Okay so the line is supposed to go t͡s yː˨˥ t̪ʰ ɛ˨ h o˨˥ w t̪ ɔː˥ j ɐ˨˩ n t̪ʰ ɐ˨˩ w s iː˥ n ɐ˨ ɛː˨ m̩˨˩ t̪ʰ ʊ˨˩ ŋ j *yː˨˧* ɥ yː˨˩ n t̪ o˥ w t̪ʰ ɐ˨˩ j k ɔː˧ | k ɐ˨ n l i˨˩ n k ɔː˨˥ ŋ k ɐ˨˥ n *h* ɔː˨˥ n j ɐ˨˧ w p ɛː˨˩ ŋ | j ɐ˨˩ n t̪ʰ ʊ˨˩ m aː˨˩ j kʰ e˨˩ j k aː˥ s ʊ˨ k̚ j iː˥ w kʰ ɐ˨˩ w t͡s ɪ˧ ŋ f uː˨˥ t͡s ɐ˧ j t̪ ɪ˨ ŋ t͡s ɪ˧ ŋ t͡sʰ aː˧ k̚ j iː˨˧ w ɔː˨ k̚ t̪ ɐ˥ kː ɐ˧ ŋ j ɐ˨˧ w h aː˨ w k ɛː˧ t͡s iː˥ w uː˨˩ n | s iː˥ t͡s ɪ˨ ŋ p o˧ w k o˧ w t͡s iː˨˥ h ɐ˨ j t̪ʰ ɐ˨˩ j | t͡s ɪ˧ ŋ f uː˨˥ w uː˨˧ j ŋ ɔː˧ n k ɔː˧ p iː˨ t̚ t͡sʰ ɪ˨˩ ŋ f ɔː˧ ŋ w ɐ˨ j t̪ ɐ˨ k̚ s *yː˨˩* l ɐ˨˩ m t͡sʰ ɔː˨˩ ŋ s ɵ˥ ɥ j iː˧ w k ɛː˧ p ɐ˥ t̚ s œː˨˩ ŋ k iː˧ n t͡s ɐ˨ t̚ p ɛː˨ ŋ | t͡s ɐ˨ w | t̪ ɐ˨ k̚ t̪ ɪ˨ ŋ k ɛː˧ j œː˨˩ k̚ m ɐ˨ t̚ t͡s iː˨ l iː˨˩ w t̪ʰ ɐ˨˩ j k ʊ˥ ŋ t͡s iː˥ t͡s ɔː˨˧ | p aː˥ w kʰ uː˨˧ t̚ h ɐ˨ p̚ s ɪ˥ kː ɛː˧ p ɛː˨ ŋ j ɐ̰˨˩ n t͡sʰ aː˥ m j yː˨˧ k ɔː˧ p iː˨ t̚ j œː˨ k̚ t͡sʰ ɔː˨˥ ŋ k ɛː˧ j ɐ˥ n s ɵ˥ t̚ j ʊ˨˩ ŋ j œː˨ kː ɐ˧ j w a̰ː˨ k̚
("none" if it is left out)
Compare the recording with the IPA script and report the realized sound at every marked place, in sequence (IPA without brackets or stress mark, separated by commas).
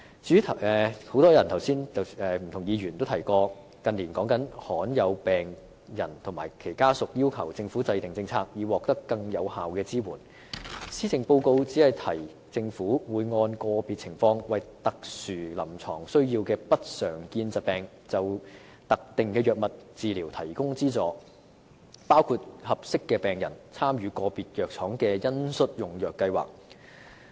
iː˨˧, h, yː˨˩